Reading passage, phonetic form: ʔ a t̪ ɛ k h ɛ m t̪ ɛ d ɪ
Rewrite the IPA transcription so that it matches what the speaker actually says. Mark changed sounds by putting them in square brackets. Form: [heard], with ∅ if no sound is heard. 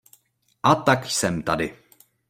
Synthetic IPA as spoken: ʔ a t̪ [a] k [s] ɛ m t̪ [a] d ɪ